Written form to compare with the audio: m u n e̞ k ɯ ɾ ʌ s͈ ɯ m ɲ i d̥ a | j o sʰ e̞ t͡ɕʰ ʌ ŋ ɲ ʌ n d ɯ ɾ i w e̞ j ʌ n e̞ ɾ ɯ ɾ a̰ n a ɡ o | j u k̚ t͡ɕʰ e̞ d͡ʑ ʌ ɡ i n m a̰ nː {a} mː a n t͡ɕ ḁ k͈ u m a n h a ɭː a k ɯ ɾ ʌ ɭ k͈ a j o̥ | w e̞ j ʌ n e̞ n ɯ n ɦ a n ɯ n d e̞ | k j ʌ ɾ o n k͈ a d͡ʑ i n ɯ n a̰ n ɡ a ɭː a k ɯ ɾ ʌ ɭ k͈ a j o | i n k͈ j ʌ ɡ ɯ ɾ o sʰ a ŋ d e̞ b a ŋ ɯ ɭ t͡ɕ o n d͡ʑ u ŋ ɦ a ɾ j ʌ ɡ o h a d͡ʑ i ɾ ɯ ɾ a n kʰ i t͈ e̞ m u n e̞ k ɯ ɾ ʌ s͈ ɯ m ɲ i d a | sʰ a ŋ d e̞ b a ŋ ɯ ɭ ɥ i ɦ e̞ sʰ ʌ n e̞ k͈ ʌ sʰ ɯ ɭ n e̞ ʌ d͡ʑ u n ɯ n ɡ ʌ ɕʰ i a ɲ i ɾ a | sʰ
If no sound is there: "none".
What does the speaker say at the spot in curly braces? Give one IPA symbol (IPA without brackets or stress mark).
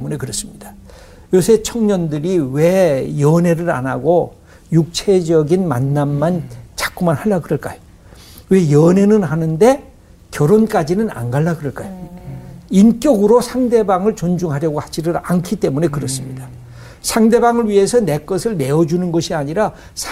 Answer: a